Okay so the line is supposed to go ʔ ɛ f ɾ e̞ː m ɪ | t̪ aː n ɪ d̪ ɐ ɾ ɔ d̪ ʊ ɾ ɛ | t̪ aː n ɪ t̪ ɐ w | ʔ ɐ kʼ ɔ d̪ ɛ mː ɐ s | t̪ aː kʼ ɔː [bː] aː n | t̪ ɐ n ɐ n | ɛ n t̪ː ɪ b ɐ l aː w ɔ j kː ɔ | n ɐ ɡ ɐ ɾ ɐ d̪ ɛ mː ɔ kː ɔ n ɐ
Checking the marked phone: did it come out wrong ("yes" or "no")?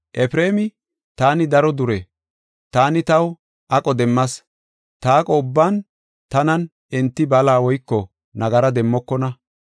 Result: no